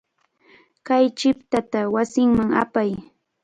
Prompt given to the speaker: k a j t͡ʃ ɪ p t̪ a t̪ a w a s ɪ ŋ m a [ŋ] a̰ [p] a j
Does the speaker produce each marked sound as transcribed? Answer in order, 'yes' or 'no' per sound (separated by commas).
yes, yes